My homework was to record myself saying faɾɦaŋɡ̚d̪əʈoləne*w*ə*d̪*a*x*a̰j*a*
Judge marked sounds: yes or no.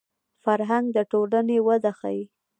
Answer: yes, yes, yes, no

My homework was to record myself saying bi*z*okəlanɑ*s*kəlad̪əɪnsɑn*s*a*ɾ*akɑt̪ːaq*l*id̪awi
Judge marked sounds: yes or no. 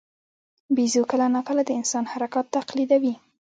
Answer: yes, no, no, yes, yes

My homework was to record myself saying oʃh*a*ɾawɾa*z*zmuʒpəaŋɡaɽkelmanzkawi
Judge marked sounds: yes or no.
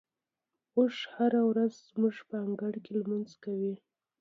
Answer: yes, yes

